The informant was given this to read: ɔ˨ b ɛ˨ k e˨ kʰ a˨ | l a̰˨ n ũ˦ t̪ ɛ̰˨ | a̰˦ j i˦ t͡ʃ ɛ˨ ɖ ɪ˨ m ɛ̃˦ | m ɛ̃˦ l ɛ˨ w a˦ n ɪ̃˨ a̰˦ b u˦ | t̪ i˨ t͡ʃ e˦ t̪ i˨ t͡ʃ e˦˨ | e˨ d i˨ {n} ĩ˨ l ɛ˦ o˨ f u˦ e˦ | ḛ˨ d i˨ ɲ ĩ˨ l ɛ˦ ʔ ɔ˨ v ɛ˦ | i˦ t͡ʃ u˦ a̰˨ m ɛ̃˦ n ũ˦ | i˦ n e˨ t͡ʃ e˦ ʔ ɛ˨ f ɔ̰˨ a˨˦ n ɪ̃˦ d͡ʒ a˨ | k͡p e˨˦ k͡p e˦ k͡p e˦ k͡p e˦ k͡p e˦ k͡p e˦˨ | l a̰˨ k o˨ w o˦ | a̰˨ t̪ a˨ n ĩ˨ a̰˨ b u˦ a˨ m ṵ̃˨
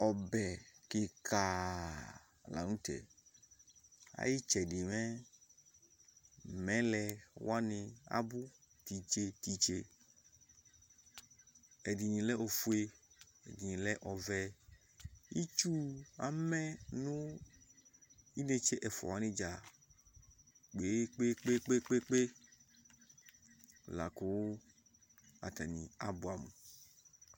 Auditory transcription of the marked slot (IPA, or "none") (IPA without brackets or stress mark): ɲ